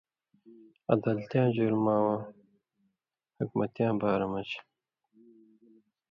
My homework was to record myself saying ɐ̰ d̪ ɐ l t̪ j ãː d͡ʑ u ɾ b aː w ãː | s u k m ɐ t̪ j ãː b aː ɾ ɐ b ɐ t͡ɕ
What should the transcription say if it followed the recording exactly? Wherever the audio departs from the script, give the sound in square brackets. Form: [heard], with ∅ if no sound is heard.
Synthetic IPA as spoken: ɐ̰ d̪ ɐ l t̪ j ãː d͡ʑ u ɾ [m] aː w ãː | [h] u k m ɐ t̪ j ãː b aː ɾ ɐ [m] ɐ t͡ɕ